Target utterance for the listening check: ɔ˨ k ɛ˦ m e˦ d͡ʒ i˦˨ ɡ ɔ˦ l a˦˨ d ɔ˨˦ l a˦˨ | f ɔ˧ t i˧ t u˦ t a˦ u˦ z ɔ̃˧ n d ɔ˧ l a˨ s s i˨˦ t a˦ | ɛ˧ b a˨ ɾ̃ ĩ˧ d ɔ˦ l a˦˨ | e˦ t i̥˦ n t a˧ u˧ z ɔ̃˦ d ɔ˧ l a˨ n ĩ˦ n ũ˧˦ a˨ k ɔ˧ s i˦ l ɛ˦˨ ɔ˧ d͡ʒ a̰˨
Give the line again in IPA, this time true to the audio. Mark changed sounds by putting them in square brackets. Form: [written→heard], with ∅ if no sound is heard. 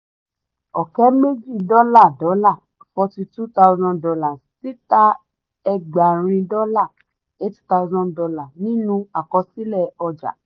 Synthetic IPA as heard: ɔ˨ k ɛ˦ m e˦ d͡ʒ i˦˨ [ɡ→d] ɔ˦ l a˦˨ d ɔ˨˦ l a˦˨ | f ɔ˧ t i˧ t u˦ t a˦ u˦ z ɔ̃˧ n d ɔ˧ l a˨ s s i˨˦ t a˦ | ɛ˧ [b→ɡ͡b] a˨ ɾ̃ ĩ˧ d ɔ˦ l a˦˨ | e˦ t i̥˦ [n→∅] t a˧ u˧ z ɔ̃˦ d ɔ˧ l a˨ n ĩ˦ n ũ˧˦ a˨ k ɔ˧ s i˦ l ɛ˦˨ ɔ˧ d͡ʒ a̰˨